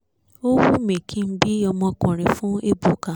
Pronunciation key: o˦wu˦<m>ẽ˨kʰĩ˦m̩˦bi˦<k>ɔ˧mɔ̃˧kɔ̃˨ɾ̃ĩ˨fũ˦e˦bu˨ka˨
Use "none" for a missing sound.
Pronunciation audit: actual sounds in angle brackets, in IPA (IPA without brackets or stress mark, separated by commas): m, none